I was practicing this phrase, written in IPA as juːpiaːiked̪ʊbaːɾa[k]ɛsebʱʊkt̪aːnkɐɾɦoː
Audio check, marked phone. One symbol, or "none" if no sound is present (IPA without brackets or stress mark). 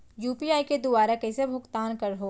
k